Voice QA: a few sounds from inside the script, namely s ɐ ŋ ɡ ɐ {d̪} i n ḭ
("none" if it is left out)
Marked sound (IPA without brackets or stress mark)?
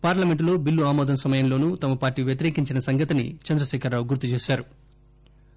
t̪